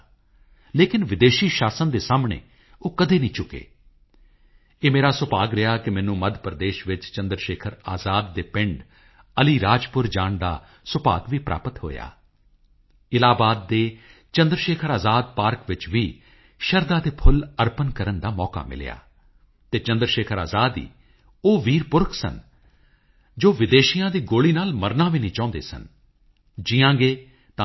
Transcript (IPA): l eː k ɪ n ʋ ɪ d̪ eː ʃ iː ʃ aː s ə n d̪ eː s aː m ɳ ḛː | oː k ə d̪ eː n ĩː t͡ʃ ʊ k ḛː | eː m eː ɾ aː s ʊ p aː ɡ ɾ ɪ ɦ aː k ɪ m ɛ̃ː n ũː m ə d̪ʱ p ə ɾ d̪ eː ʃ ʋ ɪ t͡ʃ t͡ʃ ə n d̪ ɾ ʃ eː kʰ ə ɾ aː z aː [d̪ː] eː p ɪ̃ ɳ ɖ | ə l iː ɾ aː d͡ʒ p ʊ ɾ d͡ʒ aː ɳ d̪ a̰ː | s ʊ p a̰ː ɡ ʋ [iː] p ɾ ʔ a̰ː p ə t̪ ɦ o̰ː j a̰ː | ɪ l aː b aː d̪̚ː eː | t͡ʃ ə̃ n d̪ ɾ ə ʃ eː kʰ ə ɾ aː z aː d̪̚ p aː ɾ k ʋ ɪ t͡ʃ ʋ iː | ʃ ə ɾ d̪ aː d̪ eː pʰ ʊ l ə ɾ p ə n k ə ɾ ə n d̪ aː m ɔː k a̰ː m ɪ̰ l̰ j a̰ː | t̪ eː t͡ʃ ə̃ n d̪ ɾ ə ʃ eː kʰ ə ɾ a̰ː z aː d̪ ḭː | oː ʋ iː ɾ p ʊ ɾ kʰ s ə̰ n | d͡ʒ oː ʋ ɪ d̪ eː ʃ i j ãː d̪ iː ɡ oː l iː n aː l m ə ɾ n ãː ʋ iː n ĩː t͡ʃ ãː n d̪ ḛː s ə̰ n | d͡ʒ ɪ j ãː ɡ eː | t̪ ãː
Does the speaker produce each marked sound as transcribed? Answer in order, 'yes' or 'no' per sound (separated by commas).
yes, yes